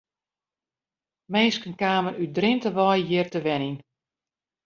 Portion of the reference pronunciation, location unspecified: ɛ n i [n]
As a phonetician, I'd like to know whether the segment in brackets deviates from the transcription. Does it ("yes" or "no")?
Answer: no